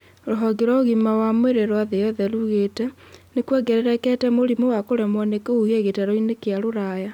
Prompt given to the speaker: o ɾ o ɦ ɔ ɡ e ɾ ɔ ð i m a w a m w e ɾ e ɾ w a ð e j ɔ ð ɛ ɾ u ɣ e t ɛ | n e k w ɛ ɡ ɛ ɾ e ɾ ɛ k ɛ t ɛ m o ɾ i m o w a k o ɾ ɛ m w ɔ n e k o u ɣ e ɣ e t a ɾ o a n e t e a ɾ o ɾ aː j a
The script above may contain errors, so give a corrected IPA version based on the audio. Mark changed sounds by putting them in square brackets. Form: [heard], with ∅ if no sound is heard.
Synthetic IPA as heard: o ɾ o ɦ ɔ ɡ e ɾ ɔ [ɣ] i m a w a m w e ɾ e ɾ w a ð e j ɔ ð ɛ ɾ u ɣ e t ɛ | n e k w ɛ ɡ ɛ ɾ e ɾ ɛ k ɛ t ɛ m o ɾ i m o w a k o ɾ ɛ m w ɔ n e k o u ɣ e ɣ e t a ɾ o [i] n e [k] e a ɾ o ɾ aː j a